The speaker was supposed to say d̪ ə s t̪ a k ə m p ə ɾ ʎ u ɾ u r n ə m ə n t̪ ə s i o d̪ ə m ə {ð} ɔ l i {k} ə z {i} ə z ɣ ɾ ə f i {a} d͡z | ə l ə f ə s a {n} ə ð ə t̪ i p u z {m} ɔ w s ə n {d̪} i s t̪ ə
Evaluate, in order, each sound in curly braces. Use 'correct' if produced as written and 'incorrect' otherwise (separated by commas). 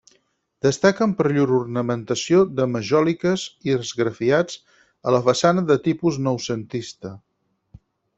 incorrect, correct, correct, correct, correct, incorrect, incorrect